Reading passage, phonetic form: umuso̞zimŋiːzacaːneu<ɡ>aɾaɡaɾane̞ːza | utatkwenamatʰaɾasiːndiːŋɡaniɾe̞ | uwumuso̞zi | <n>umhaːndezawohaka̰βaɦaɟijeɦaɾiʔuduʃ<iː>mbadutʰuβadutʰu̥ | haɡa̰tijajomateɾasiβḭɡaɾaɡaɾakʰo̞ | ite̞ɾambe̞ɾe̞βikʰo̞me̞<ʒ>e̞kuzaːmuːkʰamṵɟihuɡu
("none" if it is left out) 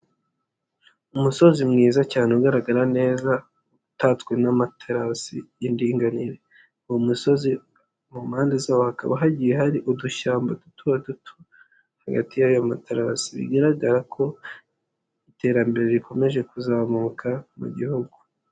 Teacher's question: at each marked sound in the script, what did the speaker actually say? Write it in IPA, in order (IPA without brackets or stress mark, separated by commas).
ɡ, m, aː, ʒ